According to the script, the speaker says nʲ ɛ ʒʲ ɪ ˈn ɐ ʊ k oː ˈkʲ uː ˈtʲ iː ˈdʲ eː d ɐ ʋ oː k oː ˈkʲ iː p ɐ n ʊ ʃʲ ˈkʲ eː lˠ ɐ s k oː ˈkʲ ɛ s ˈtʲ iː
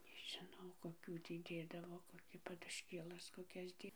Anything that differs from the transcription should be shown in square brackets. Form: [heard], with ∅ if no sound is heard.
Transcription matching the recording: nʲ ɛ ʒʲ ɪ ˈn ɐ ʊ k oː ˈkʲ uː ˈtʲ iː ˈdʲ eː d ɐ ʋ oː k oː ˈkʲ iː p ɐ [d] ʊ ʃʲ ˈkʲ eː lˠ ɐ s k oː ˈkʲ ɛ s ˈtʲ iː